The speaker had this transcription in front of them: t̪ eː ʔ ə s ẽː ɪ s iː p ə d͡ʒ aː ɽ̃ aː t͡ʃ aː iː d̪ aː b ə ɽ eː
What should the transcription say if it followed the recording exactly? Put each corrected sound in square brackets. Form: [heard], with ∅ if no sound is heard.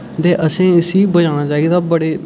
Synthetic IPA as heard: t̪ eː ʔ ə s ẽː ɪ s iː [b] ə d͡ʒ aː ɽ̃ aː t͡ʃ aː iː d̪ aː b ə ɽ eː